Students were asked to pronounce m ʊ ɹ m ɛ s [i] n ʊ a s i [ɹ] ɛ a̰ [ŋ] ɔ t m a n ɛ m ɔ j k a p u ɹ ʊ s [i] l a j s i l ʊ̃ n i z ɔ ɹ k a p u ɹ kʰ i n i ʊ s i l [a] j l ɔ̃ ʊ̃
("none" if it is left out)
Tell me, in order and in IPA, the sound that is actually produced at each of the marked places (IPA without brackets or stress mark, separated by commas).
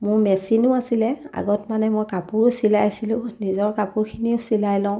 i, l, ɡ, i, a